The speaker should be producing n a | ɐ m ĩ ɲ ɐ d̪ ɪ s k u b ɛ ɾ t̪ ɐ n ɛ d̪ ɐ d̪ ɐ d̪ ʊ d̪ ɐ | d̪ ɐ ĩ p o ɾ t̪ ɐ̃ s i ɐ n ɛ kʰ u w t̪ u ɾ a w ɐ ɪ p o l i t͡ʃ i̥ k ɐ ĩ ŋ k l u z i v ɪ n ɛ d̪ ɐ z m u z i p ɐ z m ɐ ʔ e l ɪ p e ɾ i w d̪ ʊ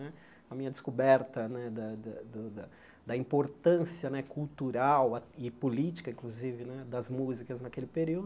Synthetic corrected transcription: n ɛ | ɐ m ĩ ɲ ɐ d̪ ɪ s k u b ɛ ɾ t̪ ɐ n ɛ d̪ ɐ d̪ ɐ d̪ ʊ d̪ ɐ | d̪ ɐ ĩ p o ɾ t̪ ɐ̃ s i ɐ n ɛ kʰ u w t̪ u ɾ a w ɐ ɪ p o l i t͡ʃ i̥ k ɐ ĩ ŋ k l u z i v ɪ n ɛ d̪ ɐ z m u z i k ɐ z n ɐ k e l ɪ p e ɾ i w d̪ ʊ

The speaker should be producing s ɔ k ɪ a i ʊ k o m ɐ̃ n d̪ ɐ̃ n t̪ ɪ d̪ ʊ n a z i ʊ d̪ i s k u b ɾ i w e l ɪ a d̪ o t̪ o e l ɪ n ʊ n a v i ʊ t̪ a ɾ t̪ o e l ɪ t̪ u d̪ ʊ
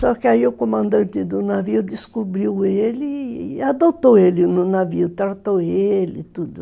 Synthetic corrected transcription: s ɔ k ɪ a i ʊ k o m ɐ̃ n d̪ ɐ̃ n t̪ ɪ d̪ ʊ n a v i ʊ d̪ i s k u b ɾ i w e l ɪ a d̪ o t̪ o e l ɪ n ʊ n a v i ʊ t̪ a ɾ t̪ o e l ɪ t̪ u d̪ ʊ

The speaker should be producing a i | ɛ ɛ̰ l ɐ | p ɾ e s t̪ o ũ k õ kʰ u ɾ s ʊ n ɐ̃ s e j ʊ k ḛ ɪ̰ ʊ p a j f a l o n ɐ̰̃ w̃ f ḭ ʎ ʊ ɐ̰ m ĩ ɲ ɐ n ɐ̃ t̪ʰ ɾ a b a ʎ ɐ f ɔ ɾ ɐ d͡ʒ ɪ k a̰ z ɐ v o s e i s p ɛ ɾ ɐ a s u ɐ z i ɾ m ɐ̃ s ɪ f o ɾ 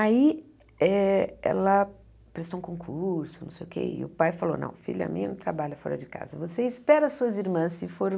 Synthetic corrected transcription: a i | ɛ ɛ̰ l ɐ | p ɾ e s t̪ o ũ k õ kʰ u ɾ s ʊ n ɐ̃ s e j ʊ k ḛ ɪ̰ ʊ p a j f a l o n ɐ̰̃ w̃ f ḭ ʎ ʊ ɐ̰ m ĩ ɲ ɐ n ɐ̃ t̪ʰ ɾ a b a ʎ ɐ f ɔ ɾ ɐ d͡ʒ ɪ k a̰ z ɐ v o s e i s p ɛ ɾ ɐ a s u ɐ z i ɾ m ɐ̃ s ɪ f o ɾ

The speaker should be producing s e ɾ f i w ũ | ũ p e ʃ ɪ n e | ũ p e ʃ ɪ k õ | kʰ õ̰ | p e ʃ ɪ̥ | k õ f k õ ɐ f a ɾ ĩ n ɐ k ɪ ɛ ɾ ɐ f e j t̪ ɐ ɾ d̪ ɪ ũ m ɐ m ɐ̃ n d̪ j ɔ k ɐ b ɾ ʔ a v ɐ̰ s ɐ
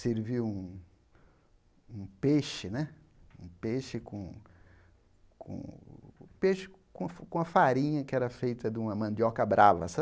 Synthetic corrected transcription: s e ɾ v i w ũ | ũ p e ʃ ɪ n ɛ | ũ p e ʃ ɪ k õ | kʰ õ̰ | p e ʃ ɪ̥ | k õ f k õ ɐ f a ɾ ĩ ɲ ɐ k ɪ ɛ ɾ ɐ f e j t̪ ɐ d̪ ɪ ũ m ɐ m ɐ̃ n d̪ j ɔ k ɐ b ɾ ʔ a v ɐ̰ s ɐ

